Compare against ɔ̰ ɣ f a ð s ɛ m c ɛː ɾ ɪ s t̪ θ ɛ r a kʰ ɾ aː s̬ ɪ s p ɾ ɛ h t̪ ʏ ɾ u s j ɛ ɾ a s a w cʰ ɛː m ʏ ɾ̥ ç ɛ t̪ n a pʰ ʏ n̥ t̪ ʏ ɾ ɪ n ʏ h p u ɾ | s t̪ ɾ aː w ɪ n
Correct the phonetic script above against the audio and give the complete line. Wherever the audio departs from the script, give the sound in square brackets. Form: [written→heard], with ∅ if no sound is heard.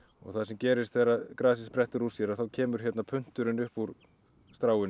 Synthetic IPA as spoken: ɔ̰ ɣ [f→θ] a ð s ɛ m c ɛː ɾ ɪ s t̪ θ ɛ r a [kʰ→k] ɾ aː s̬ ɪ s p ɾ ɛ h t̪ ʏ ɾ u s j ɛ ɾ a [s→θ] a w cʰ ɛː m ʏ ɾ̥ ç ɛ t̪ n a pʰ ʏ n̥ t̪ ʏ ɾ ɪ n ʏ h p u ɾ | s t̪ ɾ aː w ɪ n